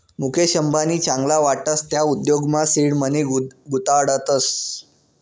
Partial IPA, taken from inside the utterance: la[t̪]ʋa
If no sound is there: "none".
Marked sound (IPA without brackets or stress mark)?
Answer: none